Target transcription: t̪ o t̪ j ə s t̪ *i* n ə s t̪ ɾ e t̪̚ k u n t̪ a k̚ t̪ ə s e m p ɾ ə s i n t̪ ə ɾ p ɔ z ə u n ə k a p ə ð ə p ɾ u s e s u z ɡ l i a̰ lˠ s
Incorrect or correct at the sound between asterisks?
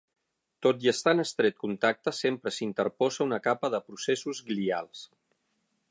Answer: incorrect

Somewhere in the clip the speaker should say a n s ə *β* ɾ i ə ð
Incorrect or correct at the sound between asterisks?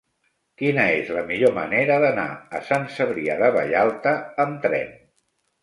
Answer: correct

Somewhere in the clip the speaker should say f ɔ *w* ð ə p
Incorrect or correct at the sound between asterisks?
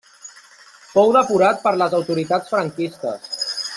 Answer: correct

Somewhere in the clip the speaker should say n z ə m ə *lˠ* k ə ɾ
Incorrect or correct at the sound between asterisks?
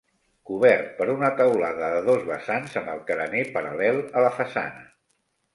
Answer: correct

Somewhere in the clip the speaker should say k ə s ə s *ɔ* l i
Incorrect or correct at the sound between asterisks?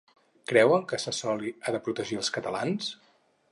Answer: correct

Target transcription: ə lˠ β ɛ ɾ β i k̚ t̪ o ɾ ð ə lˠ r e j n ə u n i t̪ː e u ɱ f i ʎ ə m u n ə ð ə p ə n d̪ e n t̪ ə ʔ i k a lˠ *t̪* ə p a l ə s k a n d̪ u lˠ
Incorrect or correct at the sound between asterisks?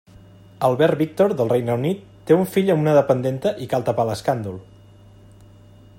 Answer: correct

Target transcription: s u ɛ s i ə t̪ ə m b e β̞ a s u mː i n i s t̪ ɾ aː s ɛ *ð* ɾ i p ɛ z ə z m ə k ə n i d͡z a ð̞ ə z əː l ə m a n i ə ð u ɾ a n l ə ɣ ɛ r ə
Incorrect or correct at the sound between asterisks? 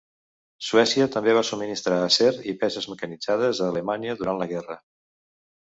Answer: incorrect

